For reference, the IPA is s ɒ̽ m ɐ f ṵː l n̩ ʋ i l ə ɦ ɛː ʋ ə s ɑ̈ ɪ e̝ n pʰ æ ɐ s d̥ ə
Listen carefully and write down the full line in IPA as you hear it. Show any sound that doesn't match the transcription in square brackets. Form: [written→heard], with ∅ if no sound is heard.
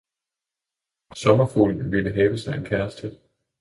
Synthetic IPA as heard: s ɒ̽ m ɐ f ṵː l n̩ ʋ i l ə ɦ ɛː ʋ ə s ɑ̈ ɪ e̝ n [pʰ→kʰ] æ ɐ s d̥ ə